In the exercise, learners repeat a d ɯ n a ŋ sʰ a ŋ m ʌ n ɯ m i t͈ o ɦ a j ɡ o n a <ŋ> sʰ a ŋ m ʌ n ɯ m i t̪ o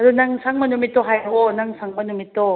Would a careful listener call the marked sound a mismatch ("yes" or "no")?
no